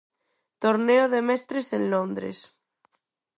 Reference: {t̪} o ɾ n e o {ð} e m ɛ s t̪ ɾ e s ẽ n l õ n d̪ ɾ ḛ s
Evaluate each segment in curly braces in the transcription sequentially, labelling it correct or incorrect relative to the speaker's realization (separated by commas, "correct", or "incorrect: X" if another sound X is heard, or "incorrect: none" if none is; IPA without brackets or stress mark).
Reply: correct, correct